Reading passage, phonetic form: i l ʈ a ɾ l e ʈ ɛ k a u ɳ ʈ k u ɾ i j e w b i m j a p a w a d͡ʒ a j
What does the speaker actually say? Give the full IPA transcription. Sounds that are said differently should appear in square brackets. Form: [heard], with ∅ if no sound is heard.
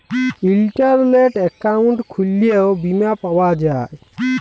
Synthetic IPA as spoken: i l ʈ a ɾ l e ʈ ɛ k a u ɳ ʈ [kʰ] u [l] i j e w b i m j a p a w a d͡ʒ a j